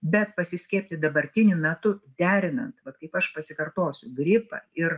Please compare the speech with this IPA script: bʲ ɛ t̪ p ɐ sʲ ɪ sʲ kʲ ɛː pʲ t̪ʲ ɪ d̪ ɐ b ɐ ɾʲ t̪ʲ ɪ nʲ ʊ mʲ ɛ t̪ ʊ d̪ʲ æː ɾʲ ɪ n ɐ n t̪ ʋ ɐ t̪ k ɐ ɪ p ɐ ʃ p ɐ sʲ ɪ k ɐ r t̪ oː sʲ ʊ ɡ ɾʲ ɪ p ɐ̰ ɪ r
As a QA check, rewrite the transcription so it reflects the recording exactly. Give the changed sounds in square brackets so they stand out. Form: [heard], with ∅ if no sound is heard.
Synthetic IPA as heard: bʲ ɛ t̪ p ɐ sʲ ɪ sʲ kʲ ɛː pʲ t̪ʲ ɪ d̪ ɐ b ɐ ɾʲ t̪ʲ ɪ nʲ ʊ mʲ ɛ t̪ ʊ d̪ʲ æː ɾʲ ɪ n ɐ n t̪ ʋ ɐ t̪ k ɐ ɪ p ɐ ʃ p ɐ sʲ ɪ k ɐ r t̪ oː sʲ ʊ ɡ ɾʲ ɪ p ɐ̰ ɪ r

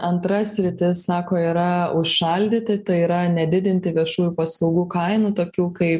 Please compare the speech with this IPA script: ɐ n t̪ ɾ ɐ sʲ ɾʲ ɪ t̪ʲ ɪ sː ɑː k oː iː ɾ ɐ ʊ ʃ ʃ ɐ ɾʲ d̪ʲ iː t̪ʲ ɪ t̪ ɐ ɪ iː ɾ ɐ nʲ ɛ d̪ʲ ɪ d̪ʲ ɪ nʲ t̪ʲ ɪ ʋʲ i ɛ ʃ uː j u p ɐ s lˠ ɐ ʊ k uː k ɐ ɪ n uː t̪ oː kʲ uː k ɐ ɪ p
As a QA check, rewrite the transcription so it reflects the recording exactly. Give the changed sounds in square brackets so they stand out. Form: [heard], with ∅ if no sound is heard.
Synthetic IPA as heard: ɐ n t̪ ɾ ɐ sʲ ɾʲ ɪ t̪ʲ ɪ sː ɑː k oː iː ɾ ɐ ʊ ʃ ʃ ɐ [lʲ] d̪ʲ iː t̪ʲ ɪ t̪ ɐ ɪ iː ɾ ɐ nʲ ɛ d̪ʲ ɪ d̪ʲ ɪ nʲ t̪ʲ ɪ ʋʲ i ɛ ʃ uː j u p ɐ s lˠ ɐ ʊ [ɡ] uː k ɐ ɪ n uː t̪ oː kʲ uː k ɐ ɪ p

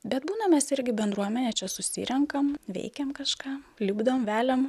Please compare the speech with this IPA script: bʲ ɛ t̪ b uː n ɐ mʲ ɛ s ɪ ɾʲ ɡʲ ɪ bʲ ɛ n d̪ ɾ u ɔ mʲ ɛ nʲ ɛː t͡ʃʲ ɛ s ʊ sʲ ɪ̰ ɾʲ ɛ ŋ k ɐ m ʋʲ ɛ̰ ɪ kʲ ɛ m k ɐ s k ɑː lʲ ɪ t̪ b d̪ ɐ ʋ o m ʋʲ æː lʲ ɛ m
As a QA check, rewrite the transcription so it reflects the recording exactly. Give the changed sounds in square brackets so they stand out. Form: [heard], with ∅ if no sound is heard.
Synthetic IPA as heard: bʲ ɛ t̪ b uː n ɐ mʲ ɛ s ɪ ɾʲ ɡʲ ɪ bʲ ɛ n d̪ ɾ u ɔ mʲ ɛ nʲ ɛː t͡ʃʲ ɛ s ʊ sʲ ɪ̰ ɾʲ ɛ ŋ k ɐ m ʋʲ ɛ̰ ɪ kʲ ɛ m k ɐ [ʃ] k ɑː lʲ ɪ [∅] b d̪ ɐ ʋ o m ʋʲ æː lʲ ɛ m

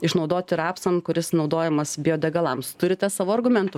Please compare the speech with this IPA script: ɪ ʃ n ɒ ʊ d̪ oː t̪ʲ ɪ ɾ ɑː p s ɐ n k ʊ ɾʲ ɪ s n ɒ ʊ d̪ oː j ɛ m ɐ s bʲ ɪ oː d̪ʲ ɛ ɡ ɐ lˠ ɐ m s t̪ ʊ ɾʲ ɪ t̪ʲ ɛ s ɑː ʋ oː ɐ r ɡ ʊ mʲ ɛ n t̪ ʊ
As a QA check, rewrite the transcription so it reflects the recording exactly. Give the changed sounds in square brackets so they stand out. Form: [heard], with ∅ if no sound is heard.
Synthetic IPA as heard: ɪ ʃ n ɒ ʊ d̪ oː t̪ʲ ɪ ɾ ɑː p s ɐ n k ʊ ɾʲ ɪ s n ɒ ʊ d̪ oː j ɛ m ɐ s bʲ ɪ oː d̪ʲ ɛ ɡ ɐ lˠ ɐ m s t̪ ʊ ɾʲ ɪ t̪ʲ ɛ s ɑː ʋ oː ɐ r ɡ ʊ mʲ ɛ n t̪ ʊ

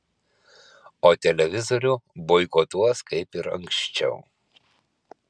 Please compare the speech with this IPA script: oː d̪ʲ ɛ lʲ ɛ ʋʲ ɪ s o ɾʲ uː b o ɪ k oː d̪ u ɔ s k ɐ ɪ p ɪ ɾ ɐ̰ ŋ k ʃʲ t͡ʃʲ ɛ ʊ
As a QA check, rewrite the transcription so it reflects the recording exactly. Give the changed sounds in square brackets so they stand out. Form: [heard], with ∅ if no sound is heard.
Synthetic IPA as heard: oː [t̪ʲ] ɛ lʲ ɛ ʋʲ ɪ [z] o ɾʲ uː b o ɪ k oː [t̪] u ɔ s k ɐ ɪ p ɪ ɾ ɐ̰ ŋ k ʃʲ t͡ʃʲ ɛ ʊ

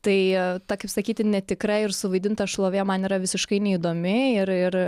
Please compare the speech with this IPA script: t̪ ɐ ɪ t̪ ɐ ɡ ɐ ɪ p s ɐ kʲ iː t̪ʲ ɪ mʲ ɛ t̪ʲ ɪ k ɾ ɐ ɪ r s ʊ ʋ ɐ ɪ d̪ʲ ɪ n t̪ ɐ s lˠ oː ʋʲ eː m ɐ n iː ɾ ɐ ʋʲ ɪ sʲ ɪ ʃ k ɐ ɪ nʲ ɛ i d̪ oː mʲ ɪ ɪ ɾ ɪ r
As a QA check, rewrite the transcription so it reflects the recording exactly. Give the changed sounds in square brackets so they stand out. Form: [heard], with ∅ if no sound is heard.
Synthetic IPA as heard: t̪ ɐ ɪ t̪ ɐ [k] ɐ ɪ p s ɐ kʲ iː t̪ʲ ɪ [nʲ] ɛ t̪ʲ ɪ k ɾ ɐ ɪ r s ʊ ʋ ɐ ɪ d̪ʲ ɪ n t̪ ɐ [ʃ] lˠ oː ʋʲ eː m ɐ n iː ɾ ɐ ʋʲ ɪ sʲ ɪ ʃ k ɐ ɪ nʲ ɛ i d̪ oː mʲ ɪ ɪ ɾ ɪ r

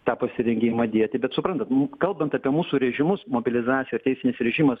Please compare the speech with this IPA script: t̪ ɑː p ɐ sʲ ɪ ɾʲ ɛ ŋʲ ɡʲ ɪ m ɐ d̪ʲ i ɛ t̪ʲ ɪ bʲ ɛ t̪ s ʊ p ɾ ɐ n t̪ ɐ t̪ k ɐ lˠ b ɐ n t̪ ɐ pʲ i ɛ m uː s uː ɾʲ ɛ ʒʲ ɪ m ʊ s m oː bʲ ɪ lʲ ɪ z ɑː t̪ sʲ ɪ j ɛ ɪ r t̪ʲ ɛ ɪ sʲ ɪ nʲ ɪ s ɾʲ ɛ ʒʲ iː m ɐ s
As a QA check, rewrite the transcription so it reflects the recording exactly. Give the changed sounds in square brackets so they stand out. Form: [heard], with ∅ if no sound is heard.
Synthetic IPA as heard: t̪ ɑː p ɐ sʲ ɪ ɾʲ ɛ ŋʲ ɡʲ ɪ m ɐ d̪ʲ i ɛ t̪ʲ ɪ bʲ ɛ t̪ s ʊ p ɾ ɐ n t̪ ɐ t̪ k ɐ lˠ b ɐ n t̪ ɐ pʲ i ɛ m uː s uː ɾʲ ɛ ʒʲ ɪ m ʊ s m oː bʲ ɪ lʲ ɪ z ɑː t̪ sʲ ɪ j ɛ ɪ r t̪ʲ ɛ ɪ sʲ ɪ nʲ ɪ s ɾʲ ɛ ʒʲ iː m ɐ s

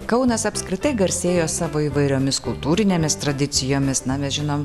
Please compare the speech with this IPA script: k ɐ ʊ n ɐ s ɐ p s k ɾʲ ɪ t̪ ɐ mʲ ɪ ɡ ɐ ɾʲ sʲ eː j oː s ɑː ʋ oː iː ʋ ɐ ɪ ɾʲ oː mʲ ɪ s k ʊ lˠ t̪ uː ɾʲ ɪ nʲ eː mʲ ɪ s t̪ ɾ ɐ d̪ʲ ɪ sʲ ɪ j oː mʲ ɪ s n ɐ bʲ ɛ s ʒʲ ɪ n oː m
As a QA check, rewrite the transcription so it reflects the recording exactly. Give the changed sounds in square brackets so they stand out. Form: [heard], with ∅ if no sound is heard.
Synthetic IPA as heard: k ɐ ʊ n ɐ s ɐ p s k ɾʲ ɪ t̪ ɐ [∅] ɪ ɡ ɐ ɾʲ sʲ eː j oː s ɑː ʋ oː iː ʋ ɐ ɪ ɾʲ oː mʲ ɪ s k ʊ lˠ t̪ uː ɾʲ ɪ nʲ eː mʲ ɪ s t̪ ɾ ɐ d̪ʲ ɪ sʲ ɪ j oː mʲ ɪ s n ɐ [mʲ] ɛ s ʒʲ ɪ n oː m

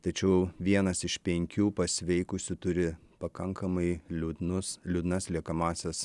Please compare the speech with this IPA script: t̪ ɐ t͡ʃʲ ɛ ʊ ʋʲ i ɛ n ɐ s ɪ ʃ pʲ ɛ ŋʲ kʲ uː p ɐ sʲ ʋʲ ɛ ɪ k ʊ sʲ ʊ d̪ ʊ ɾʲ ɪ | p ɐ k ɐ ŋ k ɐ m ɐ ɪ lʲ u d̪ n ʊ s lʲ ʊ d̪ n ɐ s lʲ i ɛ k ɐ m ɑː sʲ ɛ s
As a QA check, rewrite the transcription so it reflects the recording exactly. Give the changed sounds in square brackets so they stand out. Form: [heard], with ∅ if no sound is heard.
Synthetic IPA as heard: t̪ ɐ t͡ʃʲ ɛ ʊ ʋʲ i ɛ n ɐ s ɪ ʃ pʲ ɛ ŋʲ kʲ uː p ɐ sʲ ʋʲ ɛ ɪ k ʊ sʲ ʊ [t̪] ʊ ɾʲ ɪ | p ɐ k ɐ ŋ k ɐ m ɐ ɪ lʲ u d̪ n ʊ s lʲ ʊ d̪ n ɐ s lʲ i ɛ k ɐ m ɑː sʲ ɛ s

